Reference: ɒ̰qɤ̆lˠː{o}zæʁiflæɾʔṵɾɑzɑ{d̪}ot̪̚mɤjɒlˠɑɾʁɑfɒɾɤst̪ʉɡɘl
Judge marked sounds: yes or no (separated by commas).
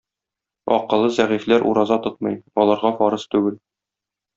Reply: no, no